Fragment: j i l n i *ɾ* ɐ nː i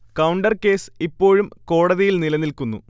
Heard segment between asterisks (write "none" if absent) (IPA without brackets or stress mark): l